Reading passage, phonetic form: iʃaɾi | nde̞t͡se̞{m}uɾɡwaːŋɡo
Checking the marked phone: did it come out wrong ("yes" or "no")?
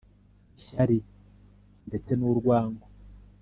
yes